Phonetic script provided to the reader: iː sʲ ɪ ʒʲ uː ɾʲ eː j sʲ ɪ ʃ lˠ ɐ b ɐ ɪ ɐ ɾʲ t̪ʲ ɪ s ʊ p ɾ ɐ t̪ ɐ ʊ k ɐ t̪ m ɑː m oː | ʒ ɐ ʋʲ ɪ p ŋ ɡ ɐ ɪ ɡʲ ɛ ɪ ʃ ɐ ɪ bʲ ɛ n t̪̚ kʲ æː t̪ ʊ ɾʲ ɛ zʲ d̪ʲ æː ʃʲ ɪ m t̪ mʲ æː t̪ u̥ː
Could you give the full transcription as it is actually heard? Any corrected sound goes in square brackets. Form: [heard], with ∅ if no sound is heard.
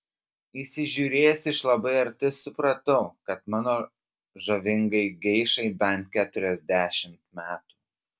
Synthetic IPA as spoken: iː sʲ ɪ ʒʲ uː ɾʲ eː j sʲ ɪ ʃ lˠ ɐ b ɐ ɪ ɐ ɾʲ t̪ʲ ɪ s ʊ p ɾ ɐ t̪ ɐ ʊ k ɐ t̪ m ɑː [n] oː | ʒ ɐ ʋʲ ɪ [∅] ŋ ɡ ɐ ɪ ɡʲ ɛ ɪ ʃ ɐ ɪ bʲ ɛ n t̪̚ kʲ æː t̪ ʊ ɾʲ ɛ zʲ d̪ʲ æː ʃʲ ɪ m t̪ mʲ æː t̪ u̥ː